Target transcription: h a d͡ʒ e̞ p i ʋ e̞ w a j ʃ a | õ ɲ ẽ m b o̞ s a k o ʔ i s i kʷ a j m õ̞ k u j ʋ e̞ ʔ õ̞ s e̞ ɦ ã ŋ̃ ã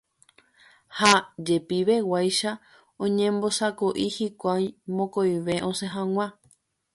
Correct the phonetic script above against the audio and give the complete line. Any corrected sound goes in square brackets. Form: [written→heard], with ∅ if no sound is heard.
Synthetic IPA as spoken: h a d͡ʒ e̞ p i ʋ e̞ w a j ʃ a | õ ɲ ẽ m b o̞ s a k o ʔ i [s→h] i kʷ a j m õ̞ k [u→o] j ʋ e̞ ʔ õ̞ s e̞ ɦ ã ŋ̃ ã